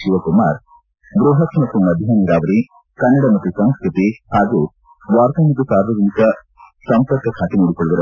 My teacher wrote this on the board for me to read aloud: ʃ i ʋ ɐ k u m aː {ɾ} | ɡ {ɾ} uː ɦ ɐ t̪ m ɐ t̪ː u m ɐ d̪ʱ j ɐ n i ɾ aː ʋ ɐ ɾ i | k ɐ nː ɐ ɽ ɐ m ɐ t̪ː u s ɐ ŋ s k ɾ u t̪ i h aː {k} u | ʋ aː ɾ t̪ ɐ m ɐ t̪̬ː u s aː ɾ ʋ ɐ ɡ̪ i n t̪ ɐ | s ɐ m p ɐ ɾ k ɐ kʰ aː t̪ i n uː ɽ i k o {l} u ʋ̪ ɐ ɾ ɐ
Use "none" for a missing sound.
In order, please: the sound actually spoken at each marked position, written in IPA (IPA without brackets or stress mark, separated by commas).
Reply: ɾ, ɾ, ɡ, ɭ